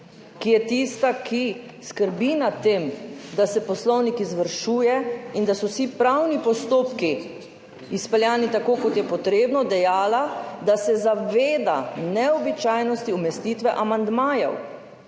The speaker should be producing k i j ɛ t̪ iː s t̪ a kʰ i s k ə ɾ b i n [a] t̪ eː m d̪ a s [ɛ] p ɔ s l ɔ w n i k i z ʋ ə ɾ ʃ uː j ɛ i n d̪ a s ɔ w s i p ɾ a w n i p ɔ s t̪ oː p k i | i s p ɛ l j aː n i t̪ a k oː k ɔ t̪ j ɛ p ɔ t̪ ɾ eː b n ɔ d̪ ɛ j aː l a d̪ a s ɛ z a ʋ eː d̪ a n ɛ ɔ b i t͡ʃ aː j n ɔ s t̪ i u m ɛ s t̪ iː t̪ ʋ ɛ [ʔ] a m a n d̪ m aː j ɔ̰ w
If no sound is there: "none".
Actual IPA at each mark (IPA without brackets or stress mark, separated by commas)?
a, ɛ, ʔ